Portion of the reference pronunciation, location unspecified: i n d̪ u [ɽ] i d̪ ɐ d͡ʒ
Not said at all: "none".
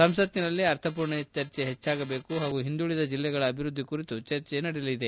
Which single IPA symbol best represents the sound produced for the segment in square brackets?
ɭ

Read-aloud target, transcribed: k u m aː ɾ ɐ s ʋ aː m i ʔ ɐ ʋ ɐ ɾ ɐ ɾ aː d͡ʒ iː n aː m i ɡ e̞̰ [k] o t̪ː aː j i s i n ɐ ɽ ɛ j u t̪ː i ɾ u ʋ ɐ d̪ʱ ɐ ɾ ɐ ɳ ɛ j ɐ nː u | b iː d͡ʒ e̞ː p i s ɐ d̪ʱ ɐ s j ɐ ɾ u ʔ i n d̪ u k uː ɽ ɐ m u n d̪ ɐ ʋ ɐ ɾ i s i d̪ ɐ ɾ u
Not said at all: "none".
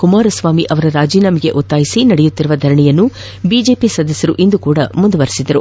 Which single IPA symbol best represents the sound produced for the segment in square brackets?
ʔ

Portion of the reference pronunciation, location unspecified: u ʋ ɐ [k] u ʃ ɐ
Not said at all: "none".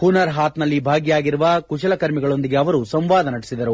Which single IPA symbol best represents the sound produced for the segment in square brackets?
k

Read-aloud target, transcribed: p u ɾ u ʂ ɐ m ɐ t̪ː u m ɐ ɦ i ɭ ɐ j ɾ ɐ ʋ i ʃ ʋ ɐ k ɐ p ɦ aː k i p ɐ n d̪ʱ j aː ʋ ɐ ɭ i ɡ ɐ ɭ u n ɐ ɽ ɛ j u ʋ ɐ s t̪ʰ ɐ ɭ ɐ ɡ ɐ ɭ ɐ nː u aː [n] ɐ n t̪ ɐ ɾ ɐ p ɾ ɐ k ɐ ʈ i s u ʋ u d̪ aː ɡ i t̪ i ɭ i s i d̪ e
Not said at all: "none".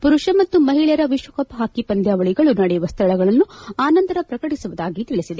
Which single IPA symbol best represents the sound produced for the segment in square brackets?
n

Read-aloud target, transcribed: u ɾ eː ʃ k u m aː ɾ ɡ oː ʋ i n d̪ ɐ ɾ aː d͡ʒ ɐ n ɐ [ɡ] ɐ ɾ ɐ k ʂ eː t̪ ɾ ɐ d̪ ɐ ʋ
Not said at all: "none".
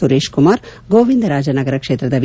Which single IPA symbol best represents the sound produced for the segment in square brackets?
ɡ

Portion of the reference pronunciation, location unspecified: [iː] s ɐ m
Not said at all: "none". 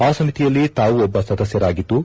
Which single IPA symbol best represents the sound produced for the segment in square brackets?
aː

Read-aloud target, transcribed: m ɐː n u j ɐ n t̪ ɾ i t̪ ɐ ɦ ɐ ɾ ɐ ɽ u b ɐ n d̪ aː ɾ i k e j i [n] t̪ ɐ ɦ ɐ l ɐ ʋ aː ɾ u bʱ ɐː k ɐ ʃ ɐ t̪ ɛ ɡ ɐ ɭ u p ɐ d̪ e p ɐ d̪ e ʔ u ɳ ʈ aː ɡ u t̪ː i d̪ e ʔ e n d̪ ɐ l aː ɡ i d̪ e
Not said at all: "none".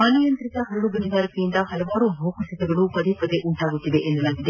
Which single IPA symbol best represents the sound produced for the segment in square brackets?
n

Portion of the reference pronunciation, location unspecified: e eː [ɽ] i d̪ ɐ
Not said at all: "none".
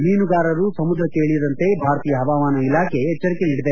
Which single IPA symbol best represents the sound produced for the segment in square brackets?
ɭ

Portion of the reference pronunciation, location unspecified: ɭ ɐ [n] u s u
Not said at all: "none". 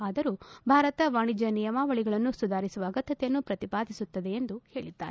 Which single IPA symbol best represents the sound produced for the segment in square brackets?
nː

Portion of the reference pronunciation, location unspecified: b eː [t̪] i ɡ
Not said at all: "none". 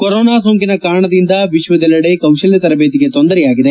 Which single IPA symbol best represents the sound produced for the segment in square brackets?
t̪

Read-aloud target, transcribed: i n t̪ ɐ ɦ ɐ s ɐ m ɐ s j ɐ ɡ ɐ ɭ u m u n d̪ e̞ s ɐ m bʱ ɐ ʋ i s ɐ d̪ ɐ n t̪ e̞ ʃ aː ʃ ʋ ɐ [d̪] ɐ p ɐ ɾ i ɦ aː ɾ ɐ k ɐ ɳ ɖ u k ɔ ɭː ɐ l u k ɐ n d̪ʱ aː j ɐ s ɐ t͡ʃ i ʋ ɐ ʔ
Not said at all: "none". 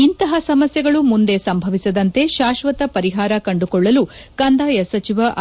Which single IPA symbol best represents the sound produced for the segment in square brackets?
t̪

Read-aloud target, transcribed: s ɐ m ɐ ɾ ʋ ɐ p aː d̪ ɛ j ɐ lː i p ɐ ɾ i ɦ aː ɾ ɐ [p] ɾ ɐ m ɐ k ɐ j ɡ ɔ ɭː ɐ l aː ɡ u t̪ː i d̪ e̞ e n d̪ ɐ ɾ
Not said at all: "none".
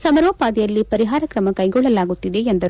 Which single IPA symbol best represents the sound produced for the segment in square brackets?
k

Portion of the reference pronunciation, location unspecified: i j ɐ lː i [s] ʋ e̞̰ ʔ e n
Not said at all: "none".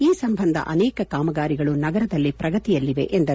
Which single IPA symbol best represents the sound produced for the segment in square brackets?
none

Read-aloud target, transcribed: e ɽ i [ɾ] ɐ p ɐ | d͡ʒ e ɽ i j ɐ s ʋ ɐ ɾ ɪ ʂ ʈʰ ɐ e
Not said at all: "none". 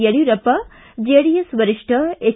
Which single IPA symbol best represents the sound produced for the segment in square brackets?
ɾ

